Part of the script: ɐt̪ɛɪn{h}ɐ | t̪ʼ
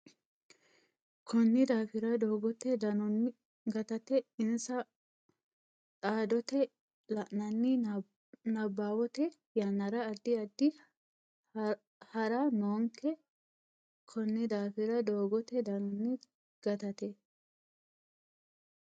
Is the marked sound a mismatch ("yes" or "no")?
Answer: yes